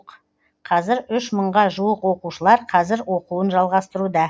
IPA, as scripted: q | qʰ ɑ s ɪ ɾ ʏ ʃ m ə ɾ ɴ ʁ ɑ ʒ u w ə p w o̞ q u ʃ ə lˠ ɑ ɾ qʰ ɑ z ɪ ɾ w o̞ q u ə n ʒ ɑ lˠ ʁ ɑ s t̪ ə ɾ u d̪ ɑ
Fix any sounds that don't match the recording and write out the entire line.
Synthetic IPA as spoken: q | qʰ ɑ z ɪ ɾ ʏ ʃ m ə ɴ ʁ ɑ ʒ u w ə q w o̞ q u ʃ ə lˠ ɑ ɾ qʰ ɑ z ɪ ɾ w o̞ q u ə n ʒ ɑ lˠ ʁ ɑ s t̪ ə ɾ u d̪ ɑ